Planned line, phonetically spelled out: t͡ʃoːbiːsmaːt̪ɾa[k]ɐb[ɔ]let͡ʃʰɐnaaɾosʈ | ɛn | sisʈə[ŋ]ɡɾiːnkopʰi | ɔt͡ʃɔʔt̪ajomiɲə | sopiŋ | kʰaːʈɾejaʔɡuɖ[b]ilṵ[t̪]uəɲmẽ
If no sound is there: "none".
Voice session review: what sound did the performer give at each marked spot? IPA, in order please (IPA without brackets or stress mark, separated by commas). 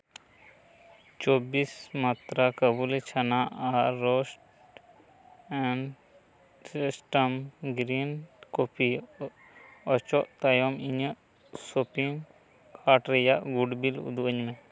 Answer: k, u, m, b, d̪